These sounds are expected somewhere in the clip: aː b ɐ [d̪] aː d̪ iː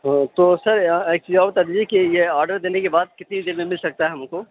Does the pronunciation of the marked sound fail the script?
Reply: yes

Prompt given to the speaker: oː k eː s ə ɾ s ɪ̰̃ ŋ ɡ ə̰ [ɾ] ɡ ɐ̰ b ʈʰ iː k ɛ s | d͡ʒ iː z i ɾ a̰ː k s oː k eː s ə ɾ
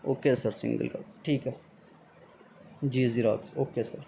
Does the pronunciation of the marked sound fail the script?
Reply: yes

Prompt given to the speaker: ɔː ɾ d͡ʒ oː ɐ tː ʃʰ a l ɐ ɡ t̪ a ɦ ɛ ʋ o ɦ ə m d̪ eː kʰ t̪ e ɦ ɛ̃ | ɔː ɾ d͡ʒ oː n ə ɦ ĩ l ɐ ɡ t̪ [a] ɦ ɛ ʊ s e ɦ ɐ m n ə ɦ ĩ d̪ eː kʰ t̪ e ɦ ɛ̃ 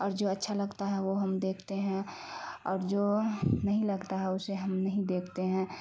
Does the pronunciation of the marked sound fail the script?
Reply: no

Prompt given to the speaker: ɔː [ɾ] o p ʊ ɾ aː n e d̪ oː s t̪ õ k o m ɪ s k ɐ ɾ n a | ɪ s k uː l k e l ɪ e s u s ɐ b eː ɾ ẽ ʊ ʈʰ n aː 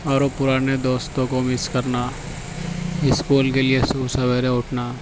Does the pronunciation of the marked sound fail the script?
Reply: no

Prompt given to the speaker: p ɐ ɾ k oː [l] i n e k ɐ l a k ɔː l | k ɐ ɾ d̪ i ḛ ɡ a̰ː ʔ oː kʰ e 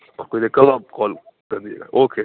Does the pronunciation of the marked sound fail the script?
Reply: yes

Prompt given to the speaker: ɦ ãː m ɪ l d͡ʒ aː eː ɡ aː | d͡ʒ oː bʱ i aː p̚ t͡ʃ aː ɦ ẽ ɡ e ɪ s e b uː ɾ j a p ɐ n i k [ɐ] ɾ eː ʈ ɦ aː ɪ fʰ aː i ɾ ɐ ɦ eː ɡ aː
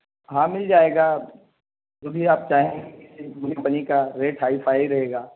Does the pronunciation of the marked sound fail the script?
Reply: yes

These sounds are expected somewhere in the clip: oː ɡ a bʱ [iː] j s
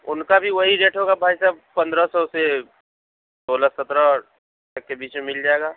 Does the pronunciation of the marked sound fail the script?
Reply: yes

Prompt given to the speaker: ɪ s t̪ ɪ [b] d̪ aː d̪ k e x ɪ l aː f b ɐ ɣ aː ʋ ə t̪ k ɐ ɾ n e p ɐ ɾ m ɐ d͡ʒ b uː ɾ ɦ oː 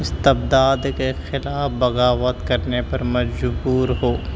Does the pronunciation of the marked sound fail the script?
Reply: no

